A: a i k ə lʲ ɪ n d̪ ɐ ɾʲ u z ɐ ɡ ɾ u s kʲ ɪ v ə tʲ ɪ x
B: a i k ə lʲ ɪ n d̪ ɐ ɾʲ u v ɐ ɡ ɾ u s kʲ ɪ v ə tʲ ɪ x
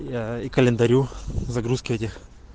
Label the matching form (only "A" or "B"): A